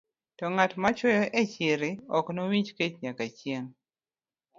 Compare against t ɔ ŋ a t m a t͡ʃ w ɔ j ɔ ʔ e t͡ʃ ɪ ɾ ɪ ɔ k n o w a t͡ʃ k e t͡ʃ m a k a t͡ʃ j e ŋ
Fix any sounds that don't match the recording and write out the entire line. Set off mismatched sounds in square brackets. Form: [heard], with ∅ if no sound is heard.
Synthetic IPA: t ɔ ŋ a t m a t͡ʃ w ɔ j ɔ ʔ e t͡ʃ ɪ ɾ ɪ ɔ k n o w [i] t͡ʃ k e t͡ʃ [ɲ] a k a t͡ʃ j e ŋ